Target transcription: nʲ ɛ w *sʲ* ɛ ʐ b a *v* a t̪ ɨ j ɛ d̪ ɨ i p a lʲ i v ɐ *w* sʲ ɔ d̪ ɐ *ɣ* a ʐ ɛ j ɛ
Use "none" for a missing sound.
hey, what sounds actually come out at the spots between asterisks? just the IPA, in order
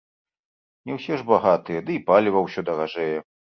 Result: sʲ, ɣ, w, ɣ

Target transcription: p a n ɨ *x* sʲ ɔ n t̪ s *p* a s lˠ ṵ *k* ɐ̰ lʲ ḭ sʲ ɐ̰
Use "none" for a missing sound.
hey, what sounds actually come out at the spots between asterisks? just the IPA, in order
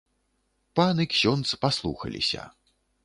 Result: k, p, x

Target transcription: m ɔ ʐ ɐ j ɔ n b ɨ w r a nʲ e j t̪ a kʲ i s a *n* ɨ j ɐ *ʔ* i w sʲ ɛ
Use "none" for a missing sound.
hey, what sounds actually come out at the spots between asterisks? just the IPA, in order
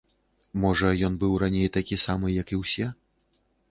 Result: m, k

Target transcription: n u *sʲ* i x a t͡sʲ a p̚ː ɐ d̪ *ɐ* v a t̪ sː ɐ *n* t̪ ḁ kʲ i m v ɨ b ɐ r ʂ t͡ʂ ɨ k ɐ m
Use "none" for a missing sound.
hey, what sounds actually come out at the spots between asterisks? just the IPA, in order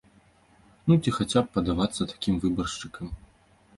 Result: t͡sʲ, a, none

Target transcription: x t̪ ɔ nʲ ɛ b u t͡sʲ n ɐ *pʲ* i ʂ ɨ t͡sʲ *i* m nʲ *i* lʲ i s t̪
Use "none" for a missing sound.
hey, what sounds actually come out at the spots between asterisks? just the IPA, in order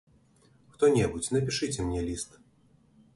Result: pʲ, ɛ, ɛ

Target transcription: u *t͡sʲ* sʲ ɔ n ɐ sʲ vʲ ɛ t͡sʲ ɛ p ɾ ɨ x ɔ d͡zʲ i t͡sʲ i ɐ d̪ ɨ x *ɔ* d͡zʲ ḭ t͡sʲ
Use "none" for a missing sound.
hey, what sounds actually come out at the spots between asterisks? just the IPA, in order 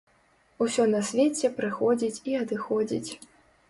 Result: none, ɔ

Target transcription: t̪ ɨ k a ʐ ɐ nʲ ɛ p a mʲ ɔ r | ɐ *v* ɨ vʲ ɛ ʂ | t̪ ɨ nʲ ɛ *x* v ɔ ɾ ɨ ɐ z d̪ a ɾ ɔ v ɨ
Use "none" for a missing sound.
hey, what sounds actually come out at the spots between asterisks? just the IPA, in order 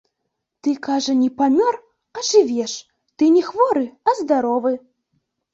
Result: ʐ, x

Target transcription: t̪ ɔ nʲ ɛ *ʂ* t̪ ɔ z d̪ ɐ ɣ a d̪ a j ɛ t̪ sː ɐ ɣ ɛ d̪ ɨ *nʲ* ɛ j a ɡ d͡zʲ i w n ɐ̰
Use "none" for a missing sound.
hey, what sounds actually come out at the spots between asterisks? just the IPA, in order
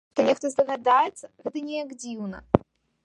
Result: x, nʲ

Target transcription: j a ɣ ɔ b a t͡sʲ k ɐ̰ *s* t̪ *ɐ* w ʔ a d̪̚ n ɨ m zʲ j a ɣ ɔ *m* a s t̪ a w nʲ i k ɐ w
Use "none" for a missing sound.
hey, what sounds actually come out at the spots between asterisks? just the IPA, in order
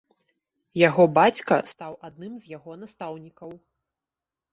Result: s, a, n

